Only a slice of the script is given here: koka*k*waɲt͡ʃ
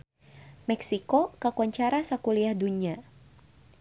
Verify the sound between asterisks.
correct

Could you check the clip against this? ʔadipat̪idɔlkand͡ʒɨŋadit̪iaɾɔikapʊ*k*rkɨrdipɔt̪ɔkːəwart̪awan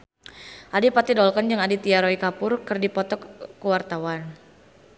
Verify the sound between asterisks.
incorrect: none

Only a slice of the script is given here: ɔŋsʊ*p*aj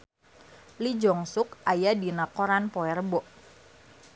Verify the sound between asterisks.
incorrect: k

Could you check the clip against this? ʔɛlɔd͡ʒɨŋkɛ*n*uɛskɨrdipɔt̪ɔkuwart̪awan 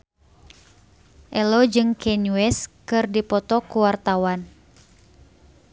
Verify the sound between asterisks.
correct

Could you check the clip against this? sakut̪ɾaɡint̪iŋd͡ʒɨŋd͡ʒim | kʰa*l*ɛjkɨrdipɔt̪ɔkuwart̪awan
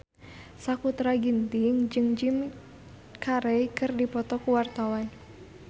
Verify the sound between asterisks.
incorrect: ɾ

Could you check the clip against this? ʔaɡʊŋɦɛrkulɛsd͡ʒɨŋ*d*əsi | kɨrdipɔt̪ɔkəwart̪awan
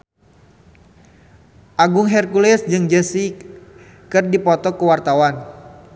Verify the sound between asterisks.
incorrect: d͡ʒ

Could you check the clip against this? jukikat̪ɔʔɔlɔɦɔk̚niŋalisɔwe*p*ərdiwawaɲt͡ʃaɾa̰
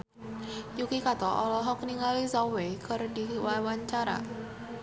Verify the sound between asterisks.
incorrect: k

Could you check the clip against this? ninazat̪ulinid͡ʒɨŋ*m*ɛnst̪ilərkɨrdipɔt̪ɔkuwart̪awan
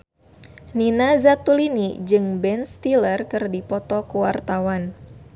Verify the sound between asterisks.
incorrect: b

